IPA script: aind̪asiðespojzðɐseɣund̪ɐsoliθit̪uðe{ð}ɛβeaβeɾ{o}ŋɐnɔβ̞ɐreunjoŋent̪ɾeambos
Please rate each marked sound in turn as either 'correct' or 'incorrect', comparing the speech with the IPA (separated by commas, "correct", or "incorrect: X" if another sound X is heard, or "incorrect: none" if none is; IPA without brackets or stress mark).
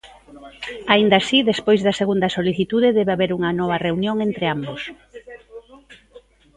correct, incorrect: u